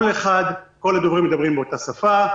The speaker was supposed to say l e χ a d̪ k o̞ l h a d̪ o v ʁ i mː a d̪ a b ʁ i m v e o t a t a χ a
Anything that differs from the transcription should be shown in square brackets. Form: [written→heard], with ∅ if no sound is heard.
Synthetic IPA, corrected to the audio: l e χ a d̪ k o̞ l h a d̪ o v ʁ i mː [a→e] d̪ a b ʁ i m [v→b] e o t a [t→s] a [χ→f] a